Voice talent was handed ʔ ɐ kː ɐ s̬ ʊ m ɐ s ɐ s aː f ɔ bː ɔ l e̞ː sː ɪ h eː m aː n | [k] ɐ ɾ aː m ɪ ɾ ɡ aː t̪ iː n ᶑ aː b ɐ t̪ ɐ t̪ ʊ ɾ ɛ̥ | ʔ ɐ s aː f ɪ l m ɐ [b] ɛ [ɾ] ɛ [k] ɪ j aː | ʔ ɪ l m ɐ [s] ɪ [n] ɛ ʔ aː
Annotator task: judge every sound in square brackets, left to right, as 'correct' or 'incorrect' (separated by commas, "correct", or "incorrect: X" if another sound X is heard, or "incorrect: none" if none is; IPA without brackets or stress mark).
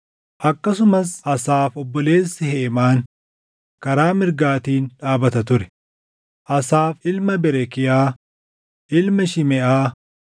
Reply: correct, correct, correct, correct, incorrect: ʃ, incorrect: m